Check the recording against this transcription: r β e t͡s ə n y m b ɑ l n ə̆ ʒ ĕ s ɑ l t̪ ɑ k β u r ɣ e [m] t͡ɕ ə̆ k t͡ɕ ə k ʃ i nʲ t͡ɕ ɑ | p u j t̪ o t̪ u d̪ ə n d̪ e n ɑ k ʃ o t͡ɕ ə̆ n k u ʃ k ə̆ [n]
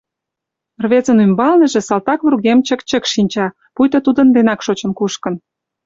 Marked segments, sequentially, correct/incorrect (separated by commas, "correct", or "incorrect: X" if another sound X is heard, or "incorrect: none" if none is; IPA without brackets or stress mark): correct, correct